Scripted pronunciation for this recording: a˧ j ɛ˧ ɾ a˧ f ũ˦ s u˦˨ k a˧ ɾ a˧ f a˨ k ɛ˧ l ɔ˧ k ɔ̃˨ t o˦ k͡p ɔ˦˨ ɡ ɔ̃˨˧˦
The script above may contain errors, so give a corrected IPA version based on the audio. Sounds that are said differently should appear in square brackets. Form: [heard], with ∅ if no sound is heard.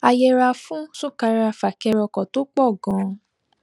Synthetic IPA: a˧ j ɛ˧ ɾ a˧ f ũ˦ s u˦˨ k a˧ ɾ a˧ f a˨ k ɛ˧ [ɾ] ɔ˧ k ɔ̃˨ t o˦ k͡p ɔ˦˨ ɡ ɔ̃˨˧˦